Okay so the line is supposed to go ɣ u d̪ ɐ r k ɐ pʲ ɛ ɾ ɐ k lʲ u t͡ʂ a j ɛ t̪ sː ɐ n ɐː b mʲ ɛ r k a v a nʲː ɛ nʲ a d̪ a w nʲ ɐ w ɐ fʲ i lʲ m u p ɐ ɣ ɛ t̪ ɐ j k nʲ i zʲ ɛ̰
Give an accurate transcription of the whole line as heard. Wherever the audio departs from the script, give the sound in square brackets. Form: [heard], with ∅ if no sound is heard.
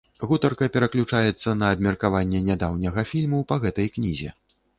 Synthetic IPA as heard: ɣ u [t̪] ɐ r k ɐ pʲ ɛ ɾ ɐ k lʲ u t͡ʂ a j ɛ t̪ sː ɐ n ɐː b mʲ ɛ r k a v a nʲː ɛ nʲ a d̪ a w nʲ ɐ [ɣ] ɐ fʲ i lʲ m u p ɐ ɣ ɛ t̪ ɐ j k nʲ i zʲ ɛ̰